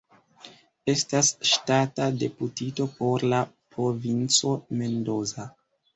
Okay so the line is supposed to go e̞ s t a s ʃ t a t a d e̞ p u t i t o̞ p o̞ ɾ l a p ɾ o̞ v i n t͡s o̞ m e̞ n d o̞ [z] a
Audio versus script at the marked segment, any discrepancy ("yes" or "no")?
no